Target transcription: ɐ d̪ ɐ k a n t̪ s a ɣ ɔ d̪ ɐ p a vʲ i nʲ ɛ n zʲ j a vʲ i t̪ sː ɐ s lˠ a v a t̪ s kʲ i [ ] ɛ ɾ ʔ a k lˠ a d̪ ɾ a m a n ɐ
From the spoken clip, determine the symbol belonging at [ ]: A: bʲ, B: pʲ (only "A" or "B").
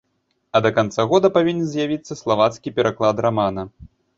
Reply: B